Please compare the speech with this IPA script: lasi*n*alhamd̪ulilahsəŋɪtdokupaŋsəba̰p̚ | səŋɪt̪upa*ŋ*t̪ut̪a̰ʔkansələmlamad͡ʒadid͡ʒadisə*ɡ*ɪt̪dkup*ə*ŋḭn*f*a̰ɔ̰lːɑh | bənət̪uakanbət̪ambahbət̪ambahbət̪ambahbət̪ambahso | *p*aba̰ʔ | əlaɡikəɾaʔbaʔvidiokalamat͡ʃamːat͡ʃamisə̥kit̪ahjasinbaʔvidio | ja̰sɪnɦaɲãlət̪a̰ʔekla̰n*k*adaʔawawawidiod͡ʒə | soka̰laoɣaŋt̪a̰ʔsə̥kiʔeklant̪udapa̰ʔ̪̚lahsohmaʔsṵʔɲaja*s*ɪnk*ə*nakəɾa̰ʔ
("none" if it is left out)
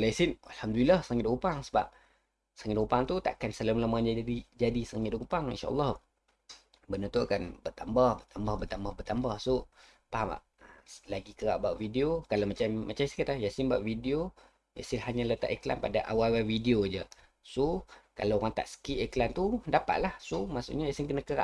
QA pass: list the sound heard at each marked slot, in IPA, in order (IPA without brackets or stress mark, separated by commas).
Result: n, ŋ, ŋ, a, ʃ, p, p, s, ə